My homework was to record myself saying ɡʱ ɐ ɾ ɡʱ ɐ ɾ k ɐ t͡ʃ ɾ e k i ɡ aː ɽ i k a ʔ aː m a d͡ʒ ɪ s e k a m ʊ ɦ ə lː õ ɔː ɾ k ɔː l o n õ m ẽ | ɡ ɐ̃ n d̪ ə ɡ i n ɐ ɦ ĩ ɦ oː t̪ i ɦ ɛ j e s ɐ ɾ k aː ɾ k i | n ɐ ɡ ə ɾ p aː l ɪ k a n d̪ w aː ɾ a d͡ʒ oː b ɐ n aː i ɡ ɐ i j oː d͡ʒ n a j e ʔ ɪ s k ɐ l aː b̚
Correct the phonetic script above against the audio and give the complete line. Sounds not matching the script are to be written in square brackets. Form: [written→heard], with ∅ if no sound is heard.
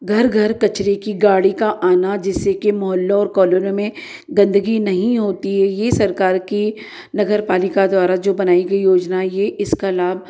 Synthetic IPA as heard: ɡʱ ɐ ɾ ɡʱ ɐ ɾ k ɐ t͡ʃ ɾ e k i ɡ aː ɽ i k a ʔ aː [m→n] a d͡ʒ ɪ s e k [a→e] m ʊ ɦ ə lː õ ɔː ɾ k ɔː l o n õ m ẽ | ɡ ɐ̃ n d̪ ə ɡ i n ɐ ɦ ĩ ɦ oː t̪ i ɦ ɛ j e s ɐ ɾ k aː ɾ k i | n ɐ ɡ ə ɾ p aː l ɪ k a [n→∅] d̪ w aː ɾ a d͡ʒ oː b ɐ n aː i ɡ ɐ i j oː d͡ʒ n a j e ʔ ɪ s k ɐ l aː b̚